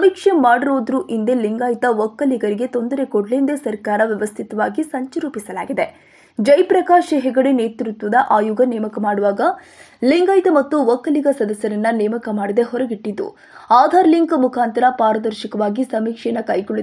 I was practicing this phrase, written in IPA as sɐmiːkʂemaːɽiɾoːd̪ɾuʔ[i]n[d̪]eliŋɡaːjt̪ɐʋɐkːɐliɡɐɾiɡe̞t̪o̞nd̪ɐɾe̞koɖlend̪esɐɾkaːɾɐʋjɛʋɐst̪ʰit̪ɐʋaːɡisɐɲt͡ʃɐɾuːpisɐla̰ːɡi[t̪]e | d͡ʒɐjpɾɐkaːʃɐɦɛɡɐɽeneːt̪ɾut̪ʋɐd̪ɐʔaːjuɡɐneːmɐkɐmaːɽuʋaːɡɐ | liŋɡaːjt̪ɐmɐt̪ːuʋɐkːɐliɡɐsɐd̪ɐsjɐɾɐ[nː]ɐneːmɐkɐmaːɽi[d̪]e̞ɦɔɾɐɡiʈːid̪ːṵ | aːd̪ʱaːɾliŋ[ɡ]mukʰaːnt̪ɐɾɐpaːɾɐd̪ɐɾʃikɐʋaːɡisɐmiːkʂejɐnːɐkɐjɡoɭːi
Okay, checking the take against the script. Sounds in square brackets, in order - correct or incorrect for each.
correct, correct, incorrect: d̪, correct, correct, incorrect: k

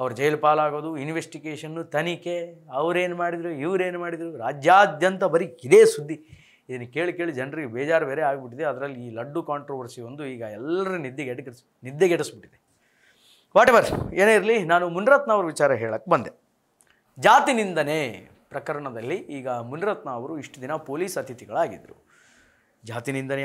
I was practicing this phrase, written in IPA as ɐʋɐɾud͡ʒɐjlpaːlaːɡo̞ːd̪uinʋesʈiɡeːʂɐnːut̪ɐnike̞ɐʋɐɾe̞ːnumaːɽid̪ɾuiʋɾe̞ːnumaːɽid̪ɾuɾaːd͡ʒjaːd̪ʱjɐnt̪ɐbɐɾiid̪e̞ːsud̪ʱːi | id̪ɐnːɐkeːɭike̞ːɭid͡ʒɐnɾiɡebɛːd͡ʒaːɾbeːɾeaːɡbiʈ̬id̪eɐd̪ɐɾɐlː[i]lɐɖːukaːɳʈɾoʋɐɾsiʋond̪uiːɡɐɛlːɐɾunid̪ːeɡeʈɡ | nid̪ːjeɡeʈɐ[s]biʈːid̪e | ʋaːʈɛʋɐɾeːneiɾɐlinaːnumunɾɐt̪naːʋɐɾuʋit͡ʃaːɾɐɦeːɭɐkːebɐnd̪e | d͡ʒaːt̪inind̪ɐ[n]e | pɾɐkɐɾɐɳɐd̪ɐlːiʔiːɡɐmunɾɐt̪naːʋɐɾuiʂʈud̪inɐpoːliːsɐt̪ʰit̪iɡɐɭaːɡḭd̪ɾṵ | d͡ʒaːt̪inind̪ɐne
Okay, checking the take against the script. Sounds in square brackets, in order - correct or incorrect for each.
incorrect: iː, correct, correct

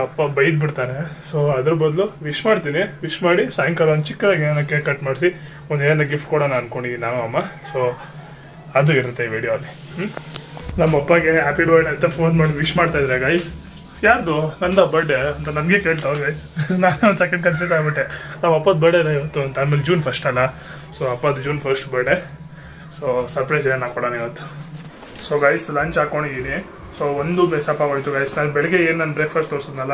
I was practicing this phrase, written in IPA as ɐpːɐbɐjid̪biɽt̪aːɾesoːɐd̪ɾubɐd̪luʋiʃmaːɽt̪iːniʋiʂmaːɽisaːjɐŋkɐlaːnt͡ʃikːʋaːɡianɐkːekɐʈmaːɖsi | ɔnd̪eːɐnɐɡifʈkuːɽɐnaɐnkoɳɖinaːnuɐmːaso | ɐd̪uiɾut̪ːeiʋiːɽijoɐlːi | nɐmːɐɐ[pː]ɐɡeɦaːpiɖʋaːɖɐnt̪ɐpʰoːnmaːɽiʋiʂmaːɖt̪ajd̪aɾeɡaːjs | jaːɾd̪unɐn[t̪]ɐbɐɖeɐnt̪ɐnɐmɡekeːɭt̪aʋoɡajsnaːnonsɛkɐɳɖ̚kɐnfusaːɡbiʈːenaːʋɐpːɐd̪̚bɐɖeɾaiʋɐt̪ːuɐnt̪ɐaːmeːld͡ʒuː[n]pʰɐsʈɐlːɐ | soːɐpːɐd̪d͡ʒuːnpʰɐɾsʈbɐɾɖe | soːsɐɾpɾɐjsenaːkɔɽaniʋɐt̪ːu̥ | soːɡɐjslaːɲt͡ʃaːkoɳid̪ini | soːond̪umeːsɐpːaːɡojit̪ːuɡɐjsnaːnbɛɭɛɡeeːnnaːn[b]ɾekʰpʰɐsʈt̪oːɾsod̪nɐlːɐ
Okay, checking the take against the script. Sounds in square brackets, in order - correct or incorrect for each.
correct, incorrect: d̪, correct, correct

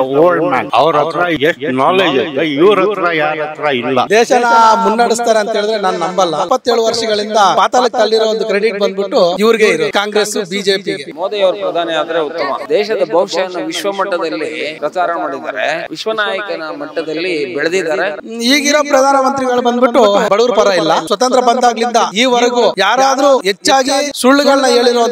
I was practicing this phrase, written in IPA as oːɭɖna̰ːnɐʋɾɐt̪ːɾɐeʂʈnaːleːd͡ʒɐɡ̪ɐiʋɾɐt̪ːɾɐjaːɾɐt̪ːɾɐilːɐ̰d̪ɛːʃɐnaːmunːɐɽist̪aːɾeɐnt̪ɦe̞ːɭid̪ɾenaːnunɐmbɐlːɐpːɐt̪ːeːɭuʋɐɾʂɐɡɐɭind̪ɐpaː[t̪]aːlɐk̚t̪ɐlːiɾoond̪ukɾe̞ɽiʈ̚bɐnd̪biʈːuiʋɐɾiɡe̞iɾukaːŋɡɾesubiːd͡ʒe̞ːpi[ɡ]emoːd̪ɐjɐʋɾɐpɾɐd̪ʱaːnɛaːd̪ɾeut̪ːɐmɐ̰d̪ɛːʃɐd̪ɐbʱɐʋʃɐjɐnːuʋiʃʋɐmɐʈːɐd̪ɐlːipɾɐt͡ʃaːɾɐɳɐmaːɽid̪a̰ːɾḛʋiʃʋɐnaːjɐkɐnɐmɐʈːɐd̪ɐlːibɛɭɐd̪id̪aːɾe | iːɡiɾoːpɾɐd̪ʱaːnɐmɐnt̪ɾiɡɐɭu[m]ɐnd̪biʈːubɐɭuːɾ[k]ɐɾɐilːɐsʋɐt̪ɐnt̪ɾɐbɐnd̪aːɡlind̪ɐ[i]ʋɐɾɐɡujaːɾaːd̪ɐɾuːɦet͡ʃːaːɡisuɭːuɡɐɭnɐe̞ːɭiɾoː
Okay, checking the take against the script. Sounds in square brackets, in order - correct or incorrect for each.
correct, correct, incorrect: b, incorrect: p, incorrect: iː

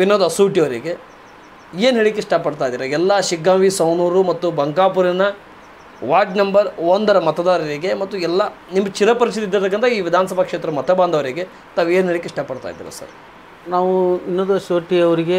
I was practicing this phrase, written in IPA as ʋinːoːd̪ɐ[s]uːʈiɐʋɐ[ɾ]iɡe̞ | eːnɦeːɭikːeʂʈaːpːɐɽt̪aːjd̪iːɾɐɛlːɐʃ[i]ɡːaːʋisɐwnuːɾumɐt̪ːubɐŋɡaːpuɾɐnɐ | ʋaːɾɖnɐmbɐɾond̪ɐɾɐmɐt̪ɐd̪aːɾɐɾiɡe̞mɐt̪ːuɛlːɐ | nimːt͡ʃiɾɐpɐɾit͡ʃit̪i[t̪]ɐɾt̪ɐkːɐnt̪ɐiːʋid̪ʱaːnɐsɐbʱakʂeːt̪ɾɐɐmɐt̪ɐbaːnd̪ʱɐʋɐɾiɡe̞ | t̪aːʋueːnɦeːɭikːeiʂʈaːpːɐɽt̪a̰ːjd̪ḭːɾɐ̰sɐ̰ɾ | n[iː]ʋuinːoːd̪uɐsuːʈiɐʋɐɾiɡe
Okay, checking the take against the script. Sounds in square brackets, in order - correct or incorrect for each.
correct, correct, correct, incorrect: d̪, incorrect: aː

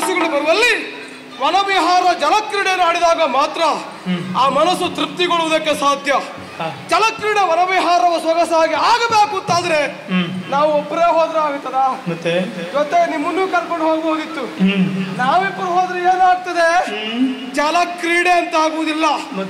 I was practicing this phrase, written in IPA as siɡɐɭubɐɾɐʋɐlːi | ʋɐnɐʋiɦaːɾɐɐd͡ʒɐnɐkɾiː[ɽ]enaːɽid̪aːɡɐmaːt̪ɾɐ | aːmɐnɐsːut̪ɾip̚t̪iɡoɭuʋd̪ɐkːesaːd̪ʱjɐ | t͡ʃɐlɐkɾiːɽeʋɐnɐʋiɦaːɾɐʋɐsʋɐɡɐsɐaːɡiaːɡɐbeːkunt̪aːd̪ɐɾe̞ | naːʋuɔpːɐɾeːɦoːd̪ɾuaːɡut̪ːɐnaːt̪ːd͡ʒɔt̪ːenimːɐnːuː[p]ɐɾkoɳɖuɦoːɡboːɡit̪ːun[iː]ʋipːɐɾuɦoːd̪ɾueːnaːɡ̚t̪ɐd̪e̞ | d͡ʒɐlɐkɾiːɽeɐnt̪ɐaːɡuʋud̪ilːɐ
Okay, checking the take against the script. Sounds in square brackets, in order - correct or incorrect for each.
correct, incorrect: k, incorrect: aː

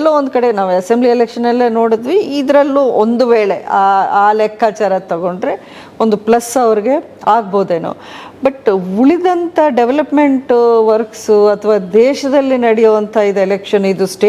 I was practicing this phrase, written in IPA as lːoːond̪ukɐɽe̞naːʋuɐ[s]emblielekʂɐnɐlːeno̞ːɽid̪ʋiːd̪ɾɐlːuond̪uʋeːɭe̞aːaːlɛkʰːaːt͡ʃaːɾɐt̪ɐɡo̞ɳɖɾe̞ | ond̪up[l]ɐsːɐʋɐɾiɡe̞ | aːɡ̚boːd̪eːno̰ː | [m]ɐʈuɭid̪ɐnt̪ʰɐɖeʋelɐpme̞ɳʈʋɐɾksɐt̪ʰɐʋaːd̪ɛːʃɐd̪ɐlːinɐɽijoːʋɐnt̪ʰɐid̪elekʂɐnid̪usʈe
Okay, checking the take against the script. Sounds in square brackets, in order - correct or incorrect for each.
correct, correct, incorrect: b

